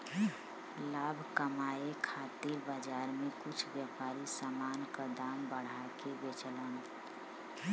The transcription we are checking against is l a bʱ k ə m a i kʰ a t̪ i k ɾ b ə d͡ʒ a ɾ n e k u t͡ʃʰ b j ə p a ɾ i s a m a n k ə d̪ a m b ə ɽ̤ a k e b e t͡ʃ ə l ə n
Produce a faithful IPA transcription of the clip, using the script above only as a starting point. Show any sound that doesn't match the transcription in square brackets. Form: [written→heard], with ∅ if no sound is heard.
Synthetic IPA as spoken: l a bʱ k ə m a [i→e] kʰ a t̪ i [k→∅] ɾ b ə d͡ʒ a ɾ [n→m] e k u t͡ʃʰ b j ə p a ɾ i s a m a n k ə d̪ a m b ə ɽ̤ a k e b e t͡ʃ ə l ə n